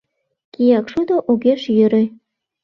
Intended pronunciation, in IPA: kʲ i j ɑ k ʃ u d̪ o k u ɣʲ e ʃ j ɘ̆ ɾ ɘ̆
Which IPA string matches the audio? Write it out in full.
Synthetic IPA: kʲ i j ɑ k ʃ u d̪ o ʔ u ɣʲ e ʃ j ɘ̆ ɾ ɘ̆